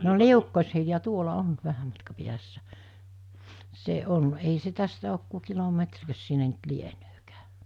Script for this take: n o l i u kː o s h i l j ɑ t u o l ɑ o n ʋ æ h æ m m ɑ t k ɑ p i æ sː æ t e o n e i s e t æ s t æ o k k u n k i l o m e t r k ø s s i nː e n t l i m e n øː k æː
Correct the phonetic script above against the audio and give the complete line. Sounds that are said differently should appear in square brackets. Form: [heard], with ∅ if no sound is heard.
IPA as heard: n o l i u kː o s h i l j ɑ t u o l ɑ o n ʋ æ h æ m m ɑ t k ɑ p i æ sː æ [s] e o n e i s e t æ s t æ o k k u [∅] k i l o m e t r k ø s s i nː e n t l i [∅] e n øː k æː